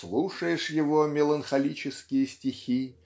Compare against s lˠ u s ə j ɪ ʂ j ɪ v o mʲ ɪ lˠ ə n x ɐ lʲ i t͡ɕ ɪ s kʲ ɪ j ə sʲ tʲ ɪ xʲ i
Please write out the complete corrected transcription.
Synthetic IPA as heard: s lˠ u ʂ ə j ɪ ʂ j ɪ v o mʲ ɪ lˠ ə n x ɐ lʲ i t͡ɕ ɪ s kʲ ɪ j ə sʲ tʲ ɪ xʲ i